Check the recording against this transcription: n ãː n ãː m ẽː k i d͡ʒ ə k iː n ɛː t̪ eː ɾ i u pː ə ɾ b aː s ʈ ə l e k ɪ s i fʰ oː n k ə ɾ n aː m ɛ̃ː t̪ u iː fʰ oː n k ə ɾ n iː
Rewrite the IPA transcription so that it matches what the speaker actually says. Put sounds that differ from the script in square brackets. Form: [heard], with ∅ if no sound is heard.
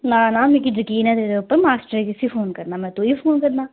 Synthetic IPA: n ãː n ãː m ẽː k i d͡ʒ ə k iː n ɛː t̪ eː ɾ [e] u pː ə ɾ [m] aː s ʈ ə [ɾ] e k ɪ s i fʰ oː n k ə ɾ n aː m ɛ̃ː t̪ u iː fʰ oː n k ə ɾ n [aː]